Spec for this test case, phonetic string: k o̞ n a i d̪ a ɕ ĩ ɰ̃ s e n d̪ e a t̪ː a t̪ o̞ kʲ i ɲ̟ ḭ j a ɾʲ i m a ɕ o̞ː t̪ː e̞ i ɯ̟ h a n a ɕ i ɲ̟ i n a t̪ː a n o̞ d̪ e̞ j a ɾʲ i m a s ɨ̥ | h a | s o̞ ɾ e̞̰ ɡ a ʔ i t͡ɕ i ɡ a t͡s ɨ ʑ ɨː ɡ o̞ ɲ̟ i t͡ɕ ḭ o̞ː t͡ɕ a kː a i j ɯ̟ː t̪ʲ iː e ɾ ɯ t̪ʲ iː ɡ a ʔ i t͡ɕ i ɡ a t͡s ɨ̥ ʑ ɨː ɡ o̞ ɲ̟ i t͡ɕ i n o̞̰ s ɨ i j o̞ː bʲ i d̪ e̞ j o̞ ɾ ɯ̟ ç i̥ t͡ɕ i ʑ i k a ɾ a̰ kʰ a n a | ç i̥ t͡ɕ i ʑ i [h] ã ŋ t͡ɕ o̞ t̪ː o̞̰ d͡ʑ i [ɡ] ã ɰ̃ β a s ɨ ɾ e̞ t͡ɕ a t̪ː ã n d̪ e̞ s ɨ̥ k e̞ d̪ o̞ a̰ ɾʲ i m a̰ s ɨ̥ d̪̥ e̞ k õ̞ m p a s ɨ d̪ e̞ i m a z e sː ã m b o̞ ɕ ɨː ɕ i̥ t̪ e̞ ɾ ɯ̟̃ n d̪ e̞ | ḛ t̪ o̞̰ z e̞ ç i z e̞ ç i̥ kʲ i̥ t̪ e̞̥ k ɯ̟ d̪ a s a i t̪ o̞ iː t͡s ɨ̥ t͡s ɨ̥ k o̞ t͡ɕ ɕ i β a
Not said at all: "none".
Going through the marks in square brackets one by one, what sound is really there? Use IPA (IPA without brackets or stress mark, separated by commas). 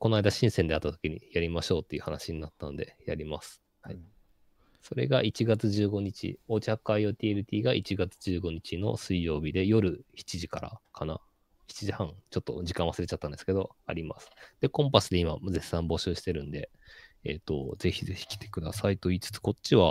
h, k